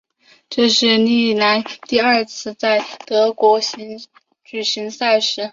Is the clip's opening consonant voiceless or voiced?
voiceless